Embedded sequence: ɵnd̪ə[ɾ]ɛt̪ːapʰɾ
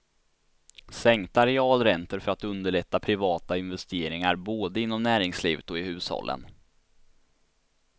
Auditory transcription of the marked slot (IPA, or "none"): ɭ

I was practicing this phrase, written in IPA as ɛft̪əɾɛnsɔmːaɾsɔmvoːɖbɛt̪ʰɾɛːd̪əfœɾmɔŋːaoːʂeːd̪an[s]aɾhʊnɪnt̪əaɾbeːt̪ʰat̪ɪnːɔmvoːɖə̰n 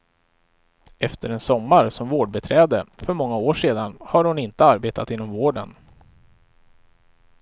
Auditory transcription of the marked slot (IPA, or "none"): h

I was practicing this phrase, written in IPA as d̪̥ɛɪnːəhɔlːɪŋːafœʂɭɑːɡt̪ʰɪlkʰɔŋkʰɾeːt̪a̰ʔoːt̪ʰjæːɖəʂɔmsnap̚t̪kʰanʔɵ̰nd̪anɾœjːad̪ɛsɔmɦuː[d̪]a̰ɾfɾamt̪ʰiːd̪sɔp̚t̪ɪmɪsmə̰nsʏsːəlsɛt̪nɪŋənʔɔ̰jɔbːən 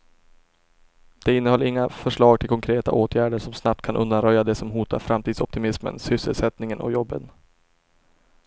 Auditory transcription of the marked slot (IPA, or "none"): t̪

